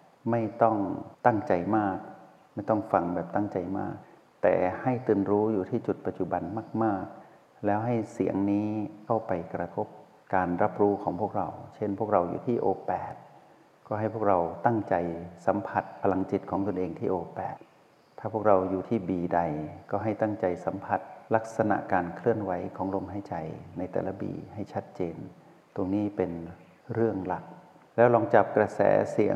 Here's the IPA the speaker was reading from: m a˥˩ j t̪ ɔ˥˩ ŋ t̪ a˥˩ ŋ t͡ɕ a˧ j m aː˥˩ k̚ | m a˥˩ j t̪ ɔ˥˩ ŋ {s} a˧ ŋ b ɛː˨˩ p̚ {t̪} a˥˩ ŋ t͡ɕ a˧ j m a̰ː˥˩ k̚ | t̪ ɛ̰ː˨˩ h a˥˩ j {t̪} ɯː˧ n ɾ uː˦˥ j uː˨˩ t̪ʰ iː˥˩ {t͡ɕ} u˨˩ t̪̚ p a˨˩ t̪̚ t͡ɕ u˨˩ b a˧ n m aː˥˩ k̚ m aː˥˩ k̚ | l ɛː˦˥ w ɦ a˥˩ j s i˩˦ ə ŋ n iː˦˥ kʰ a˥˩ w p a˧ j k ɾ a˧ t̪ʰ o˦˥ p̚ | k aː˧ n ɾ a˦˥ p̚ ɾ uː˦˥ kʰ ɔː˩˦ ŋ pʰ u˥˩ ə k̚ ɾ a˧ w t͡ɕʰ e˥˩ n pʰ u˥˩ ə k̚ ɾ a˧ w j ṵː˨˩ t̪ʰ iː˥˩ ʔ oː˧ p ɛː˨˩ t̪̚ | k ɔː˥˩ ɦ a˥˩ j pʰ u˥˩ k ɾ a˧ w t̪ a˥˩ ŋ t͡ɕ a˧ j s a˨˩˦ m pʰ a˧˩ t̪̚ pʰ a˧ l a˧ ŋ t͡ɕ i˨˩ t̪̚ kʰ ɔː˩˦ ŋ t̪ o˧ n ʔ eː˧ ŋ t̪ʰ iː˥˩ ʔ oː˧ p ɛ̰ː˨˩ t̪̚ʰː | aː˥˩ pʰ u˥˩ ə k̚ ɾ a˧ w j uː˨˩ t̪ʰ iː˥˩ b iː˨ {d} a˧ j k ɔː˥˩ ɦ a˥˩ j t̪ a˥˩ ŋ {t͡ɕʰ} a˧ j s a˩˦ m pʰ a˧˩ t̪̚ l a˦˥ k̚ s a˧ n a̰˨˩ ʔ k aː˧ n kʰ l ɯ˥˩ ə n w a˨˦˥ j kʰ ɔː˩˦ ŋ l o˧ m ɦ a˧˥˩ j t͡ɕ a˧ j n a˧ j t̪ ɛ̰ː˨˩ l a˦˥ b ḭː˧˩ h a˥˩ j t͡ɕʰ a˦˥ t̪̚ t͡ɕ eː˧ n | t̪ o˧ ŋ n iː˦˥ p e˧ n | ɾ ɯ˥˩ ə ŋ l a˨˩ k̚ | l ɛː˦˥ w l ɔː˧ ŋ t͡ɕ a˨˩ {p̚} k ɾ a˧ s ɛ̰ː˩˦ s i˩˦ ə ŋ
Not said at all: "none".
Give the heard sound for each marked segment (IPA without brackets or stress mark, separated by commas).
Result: f, t̪, t̪, t͡ɕ, d, t͡ɕ, p̚